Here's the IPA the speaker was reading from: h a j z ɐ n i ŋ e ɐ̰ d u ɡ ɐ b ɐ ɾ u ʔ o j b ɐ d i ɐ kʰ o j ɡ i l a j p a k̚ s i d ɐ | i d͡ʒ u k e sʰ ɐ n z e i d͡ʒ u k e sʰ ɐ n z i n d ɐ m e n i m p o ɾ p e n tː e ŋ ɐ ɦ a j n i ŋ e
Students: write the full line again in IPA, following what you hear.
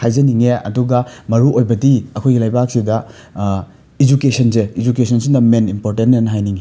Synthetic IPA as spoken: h a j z ɐ n i ŋ e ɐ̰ d u ɡ ɐ m ɐ ɾ u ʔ o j b ɐ d i ɐ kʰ o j ɡ i l a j b a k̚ s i d ɐ | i d͡ʒ u k e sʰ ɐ n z e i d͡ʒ u k e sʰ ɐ n s i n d ɐ m e n i m p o ɾ t e n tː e n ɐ ɦ a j n i ŋ e